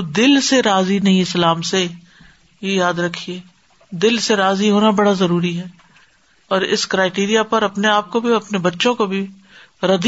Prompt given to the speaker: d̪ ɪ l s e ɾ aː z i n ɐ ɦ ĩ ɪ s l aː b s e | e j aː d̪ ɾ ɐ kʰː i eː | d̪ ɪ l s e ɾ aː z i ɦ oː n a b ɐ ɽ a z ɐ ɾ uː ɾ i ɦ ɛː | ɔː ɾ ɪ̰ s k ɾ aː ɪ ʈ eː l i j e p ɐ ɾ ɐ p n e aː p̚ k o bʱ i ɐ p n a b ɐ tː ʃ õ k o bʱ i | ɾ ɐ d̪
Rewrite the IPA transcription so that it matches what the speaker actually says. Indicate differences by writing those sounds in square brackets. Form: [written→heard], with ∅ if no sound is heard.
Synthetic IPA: d̪ ɪ l s e ɾ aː z i n ɐ ɦ ĩ ɪ s l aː [b→m] s e | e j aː d̪ ɾ ɐ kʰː i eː | d̪ ɪ l s e ɾ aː z i ɦ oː n a b ɐ ɽ a z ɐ ɾ uː ɾ i ɦ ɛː | ɔː ɾ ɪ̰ s k ɾ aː ɪ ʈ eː [l→ɾ] i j [e→a] p ɐ ɾ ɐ p n e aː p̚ k o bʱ i ɐ p n [a→e] b ɐ tː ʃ õ k o bʱ i | ɾ ɐ d̪